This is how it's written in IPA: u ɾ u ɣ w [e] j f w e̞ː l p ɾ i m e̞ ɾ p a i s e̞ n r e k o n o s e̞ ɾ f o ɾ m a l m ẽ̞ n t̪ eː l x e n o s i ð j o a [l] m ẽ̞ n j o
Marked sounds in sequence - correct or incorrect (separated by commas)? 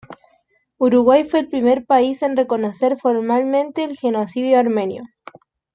incorrect, incorrect